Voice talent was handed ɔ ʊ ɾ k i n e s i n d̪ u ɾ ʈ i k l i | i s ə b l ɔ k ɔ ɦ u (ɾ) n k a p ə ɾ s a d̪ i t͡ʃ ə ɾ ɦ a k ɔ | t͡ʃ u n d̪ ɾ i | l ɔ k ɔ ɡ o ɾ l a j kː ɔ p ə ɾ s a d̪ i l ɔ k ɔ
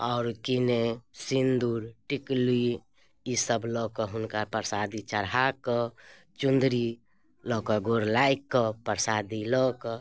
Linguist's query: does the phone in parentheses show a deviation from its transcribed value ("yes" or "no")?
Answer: yes